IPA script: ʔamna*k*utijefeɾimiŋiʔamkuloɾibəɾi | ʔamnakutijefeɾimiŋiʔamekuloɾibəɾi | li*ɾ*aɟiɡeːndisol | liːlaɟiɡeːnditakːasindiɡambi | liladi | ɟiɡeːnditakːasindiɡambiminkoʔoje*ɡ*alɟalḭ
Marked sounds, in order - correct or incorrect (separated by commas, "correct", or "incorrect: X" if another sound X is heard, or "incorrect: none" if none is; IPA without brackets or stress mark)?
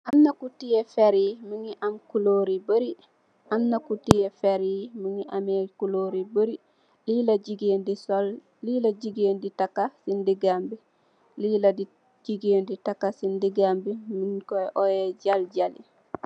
correct, incorrect: l, incorrect: ɟ